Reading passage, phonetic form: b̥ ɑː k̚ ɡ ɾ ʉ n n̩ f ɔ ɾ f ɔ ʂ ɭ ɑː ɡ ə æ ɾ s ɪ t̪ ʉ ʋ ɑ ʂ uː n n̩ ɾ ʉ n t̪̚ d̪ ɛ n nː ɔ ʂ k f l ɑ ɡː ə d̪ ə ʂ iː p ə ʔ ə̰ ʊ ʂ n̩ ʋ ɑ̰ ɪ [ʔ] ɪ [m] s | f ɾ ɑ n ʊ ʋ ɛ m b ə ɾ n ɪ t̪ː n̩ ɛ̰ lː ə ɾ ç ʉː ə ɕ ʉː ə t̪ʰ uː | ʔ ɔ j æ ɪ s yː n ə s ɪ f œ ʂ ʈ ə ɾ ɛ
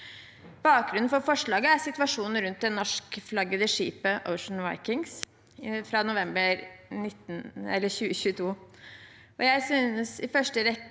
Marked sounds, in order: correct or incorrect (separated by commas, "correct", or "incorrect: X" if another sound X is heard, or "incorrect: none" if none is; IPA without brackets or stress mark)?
incorrect: k, incorrect: ŋ